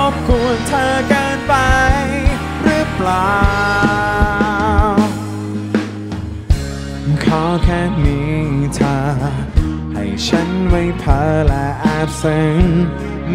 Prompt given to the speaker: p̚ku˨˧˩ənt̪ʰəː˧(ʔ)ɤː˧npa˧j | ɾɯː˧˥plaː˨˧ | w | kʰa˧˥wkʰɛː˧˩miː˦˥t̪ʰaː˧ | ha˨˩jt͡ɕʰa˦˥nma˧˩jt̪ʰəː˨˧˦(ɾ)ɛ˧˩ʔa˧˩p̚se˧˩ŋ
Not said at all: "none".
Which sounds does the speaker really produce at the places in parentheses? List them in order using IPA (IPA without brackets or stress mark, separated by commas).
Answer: k, l